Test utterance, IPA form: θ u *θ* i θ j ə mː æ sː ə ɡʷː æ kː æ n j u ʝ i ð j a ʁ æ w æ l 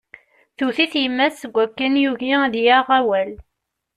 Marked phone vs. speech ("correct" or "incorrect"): correct